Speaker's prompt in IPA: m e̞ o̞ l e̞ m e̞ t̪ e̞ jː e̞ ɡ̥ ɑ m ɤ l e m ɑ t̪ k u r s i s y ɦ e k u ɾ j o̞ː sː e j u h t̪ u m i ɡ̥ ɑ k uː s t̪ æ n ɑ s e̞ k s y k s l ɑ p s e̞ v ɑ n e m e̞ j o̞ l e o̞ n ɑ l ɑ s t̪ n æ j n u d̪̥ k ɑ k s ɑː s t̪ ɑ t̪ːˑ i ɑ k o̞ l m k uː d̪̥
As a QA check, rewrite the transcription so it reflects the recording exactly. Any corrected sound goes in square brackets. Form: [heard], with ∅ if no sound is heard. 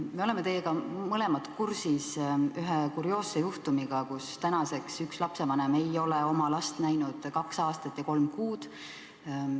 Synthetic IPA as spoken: m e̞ o̞ l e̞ m e̞ t̪ e̞ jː e̞ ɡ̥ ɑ m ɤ l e m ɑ t̪ k u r s i s y ɦ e k u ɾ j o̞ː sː e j u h t̪ u m i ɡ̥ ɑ k [u] s t̪ æ n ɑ s e̞ k s y k s l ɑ p s e̞ v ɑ n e m e̞ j o̞ l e o̞ [m] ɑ l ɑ s t̪ n æ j n u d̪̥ k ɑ k s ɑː s t̪ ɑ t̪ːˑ [j] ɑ k o̞ l m k uː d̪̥

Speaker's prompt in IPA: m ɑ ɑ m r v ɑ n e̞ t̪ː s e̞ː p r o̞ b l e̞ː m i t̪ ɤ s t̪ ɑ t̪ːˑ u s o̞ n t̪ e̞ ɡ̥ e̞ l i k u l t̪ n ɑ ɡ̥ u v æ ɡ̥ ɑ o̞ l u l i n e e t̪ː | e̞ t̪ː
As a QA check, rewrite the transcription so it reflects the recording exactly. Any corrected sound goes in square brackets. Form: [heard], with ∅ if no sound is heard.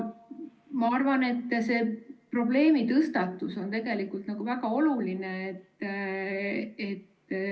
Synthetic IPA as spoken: m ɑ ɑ [∅] r v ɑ n e̞ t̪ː s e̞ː p r o̞ b l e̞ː m i t̪ ɤ s t̪ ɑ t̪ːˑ u s o̞ n t̪ e̞ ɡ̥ e̞ l i k u l t̪ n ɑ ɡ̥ u v æ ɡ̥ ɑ o̞ l u l i n e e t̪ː | e̞ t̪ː

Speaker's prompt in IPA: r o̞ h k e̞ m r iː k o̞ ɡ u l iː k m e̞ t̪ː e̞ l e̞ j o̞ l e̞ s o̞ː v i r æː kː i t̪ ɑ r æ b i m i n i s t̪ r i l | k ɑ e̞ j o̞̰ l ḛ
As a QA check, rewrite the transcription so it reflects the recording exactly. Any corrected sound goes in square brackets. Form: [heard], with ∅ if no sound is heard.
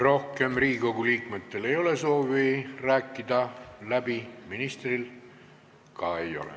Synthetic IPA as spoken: r o̞ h k e̞ m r iː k o̞ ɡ u l iː k m e̞ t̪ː e̞ l e̞ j o̞ l e̞ s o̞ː v i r æː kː i [d̪] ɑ [l] æ b i m i n i s t̪ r i l | k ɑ e̞ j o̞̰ l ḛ

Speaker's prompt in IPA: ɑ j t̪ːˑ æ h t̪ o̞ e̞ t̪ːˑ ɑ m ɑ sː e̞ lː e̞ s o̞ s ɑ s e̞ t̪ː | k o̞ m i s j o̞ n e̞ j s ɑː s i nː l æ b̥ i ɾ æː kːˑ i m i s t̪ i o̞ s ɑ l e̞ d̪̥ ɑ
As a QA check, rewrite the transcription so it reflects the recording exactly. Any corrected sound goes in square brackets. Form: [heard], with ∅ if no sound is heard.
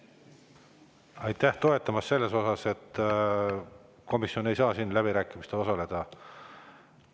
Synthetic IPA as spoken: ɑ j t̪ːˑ æ h t̪ o̞ e̞ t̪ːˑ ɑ m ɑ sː e̞ lː e̞ s o̞ s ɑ s e̞ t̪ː | k o̞ m i s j o̞ n e̞ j s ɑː s i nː l æ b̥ i ɾ æː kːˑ i m i s t̪ [e] o̞ s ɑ l e̞ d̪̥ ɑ

